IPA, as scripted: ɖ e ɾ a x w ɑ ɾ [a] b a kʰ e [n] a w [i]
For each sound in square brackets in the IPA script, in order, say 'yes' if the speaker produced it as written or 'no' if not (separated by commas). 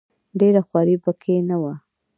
no, yes, no